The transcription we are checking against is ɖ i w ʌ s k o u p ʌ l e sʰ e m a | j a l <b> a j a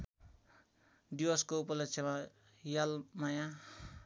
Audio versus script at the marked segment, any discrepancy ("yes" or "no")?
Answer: yes